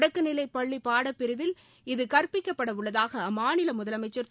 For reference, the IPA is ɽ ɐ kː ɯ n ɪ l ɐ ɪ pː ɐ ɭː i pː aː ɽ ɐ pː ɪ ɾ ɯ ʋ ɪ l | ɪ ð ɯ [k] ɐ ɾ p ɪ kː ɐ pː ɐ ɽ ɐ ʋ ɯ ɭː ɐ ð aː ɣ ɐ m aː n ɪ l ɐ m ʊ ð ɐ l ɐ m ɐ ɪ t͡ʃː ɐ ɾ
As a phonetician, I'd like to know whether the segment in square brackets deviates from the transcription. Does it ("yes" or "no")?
no